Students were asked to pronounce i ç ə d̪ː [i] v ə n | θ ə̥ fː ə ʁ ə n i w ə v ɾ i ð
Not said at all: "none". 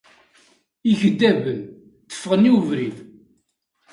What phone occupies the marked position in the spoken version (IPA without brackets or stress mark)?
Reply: æ